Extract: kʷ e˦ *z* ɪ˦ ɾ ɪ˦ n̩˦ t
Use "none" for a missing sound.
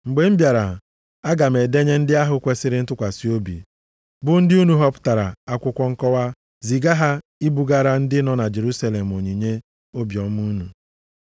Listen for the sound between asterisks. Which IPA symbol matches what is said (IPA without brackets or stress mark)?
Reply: s